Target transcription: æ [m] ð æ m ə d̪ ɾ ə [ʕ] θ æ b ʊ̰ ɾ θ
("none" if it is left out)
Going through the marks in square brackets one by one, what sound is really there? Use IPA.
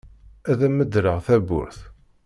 none, ʁ

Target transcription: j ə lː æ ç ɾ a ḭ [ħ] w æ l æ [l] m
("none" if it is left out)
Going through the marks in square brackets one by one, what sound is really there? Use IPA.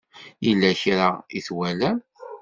θ, none

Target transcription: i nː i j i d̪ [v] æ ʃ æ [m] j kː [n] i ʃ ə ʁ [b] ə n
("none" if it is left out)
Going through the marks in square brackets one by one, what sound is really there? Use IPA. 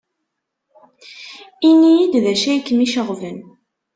ð, none, m, v

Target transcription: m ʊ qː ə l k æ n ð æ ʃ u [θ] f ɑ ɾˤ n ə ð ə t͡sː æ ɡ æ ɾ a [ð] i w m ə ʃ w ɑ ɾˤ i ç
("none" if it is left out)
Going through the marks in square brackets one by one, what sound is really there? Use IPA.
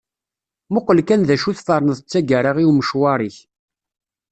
θ, ʁ

